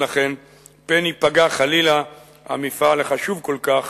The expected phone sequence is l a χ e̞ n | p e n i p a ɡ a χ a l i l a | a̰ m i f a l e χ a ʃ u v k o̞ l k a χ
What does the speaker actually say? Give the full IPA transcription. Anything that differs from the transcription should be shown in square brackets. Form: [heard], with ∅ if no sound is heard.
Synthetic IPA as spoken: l a χ e̞ n | p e n i p a ɡ a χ a l i l a | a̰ m i f a l e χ a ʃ u v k o̞ l k a χ